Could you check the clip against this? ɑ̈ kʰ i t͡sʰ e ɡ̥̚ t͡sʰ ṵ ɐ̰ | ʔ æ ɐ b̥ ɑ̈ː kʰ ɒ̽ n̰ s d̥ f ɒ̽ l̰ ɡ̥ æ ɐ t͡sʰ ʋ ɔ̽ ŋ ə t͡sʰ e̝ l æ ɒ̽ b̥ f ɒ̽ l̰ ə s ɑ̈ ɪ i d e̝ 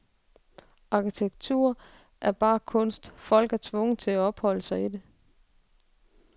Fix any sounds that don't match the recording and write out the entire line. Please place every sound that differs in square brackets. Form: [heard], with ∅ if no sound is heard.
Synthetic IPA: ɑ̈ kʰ i t͡sʰ e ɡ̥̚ t͡sʰ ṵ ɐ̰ | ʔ æ ɐ b̥ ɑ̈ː kʰ [ɔ̽] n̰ s d̥ f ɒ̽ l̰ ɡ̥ æ ɐ t͡sʰ ʋ ɔ̽ ŋ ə t͡sʰ e̝ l æ ɒ̽ b̥ [h] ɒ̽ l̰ ə s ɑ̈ ɪ i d e̝

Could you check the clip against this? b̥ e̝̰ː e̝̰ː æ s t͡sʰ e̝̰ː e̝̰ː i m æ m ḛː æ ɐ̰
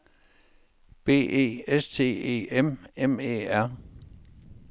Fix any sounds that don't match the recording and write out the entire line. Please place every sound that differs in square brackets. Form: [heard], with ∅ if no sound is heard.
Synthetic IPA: b̥ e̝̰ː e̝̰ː [e] s t͡sʰ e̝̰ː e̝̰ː [e] m [e] m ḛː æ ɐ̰

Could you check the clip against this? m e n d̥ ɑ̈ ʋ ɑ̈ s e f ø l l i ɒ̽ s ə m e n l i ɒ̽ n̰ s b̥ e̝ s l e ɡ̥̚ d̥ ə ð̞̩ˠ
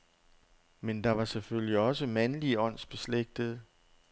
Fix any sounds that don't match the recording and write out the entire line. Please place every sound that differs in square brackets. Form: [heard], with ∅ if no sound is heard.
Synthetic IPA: m e n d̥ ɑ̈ ʋ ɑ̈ s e f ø l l i ɒ̽ s ə m [æ] n l i ɒ̽ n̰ s b̥ e̝ s l e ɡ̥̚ d̥ ə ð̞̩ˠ

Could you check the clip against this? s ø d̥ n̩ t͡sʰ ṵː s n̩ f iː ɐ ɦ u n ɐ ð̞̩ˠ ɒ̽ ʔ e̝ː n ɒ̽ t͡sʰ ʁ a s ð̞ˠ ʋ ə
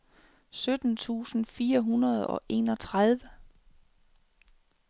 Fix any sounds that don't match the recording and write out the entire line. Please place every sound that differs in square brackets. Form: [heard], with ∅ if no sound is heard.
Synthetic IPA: s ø d̥ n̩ t͡sʰ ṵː s n̩ f iː ɐ ɦ u n ɐ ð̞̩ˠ ɒ̽ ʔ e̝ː n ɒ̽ t͡sʰ ʁ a [∅] ð̞ˠ ʋ ə

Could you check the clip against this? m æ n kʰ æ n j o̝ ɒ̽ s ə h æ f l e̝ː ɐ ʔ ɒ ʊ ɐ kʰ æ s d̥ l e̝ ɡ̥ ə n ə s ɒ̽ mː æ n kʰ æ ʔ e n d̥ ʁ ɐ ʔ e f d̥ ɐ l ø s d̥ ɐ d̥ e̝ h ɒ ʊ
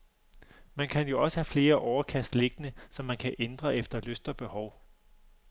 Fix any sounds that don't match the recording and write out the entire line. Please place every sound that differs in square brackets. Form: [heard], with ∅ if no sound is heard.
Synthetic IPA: m æ n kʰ æ n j o̝ ɒ̽ s ə h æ f l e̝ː ɐ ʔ ɒ ʊ ɐ kʰ æ s d̥ l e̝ ɡ̥ ə n ə s ɒ̽ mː æ n kʰ æ ʔ e n d̥ ʁ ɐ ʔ e f d̥ ɐ l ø s d̥ ɐ [b̥] e̝ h ɒ ʊ

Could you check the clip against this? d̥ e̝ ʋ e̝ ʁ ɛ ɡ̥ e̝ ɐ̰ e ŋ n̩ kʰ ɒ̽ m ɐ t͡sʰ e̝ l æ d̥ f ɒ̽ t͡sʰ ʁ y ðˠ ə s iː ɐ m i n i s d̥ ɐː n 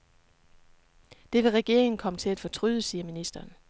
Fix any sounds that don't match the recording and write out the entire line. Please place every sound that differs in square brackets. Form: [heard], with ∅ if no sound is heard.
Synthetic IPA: d̥ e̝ ʋ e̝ ʁ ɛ ɡ̥ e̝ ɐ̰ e ŋ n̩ kʰ ɒ̽ m [ə] t͡sʰ e̝ l æ d̥ f ɒ̽ t͡sʰ ʁ y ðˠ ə s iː ɐ m i n i s d̥ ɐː n

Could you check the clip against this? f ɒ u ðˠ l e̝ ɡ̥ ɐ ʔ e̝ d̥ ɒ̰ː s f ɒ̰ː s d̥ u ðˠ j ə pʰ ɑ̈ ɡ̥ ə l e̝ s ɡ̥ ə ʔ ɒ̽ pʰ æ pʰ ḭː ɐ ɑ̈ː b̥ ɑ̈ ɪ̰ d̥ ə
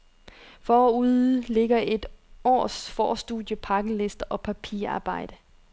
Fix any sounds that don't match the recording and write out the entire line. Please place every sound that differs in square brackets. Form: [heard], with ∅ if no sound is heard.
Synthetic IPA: f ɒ u ðˠ l e̝ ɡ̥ ɐ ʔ e̝ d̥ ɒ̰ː s f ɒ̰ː s d̥ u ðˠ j ə pʰ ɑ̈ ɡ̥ ə l e̝ s [d̥] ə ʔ ɒ̽ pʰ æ pʰ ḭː ɐ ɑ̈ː b̥ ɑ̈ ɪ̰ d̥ ə

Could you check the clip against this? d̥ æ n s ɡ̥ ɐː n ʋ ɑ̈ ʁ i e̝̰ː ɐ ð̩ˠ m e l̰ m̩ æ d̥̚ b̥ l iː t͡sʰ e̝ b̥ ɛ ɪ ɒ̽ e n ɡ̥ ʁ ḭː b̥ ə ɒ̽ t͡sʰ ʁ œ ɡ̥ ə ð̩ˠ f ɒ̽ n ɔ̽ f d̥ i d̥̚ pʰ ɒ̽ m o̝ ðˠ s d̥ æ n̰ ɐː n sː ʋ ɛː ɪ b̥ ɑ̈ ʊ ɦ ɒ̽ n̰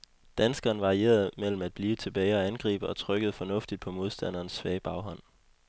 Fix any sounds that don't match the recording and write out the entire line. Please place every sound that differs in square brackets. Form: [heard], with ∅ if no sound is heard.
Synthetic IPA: d̥ æ n s ɡ̥ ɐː n ʋ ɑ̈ ʁ i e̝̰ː ɐ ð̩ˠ m e l̰ m̩ æ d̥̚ b̥ l iː t͡sʰ e̝ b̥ ɛ ɪ ɒ̽ [æ] n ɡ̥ ʁ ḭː b̥ ə ɒ̽ t͡sʰ ʁ œ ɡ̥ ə ð̩ˠ f ɒ̽ n ɔ̽ f d̥ i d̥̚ pʰ ɒ̽ m o̝ ðˠ s d̥ æ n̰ ɐː n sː ʋ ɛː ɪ b̥ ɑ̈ ʊ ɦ ɒ̽ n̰

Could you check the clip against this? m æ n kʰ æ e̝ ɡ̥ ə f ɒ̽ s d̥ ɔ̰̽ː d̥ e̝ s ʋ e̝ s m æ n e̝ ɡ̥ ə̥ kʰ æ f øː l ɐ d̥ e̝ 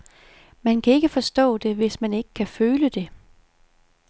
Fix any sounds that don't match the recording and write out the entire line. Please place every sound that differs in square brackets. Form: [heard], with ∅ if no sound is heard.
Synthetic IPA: m æ n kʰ æ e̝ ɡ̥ ə f ɒ̽ s d̥ ɔ̰̽ː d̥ e̝ [∅] ʋ e̝ s m æ n e̝ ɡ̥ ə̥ kʰ æ f øː l [ə] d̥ e̝

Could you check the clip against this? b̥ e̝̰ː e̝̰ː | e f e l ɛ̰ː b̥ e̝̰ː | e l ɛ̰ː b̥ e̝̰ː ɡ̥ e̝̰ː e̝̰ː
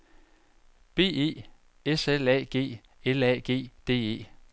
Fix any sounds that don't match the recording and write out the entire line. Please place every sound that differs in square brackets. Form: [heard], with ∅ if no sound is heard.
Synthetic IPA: b̥ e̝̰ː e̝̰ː | e [s] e l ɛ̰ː [ɡ̥] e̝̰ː | e l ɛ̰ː [ɡ̥] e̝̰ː [d̥] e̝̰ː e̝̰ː

